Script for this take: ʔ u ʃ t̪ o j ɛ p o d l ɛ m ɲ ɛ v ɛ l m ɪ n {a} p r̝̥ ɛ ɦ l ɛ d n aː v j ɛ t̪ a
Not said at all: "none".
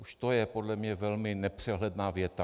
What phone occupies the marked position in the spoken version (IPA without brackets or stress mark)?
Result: ɛ